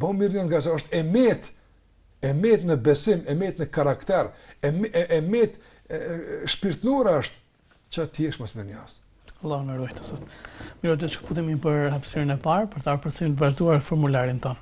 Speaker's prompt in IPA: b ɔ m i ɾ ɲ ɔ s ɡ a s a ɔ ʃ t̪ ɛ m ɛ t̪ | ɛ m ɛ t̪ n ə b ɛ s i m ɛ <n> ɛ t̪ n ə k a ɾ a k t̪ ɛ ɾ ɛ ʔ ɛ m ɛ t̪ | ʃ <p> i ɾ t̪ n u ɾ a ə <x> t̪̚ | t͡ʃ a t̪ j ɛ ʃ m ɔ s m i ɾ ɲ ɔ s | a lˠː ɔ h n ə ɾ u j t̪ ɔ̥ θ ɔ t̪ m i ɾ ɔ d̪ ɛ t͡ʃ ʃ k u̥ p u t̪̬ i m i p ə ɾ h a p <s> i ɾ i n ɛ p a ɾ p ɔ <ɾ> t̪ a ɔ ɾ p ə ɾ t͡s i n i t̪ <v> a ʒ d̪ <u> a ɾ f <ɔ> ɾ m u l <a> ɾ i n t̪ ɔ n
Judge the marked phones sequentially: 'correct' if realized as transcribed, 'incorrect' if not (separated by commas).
incorrect, correct, incorrect, correct, correct, correct, correct, correct, correct